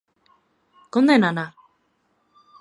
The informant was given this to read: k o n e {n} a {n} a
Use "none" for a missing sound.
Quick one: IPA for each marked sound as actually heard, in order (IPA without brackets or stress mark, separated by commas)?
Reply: n, n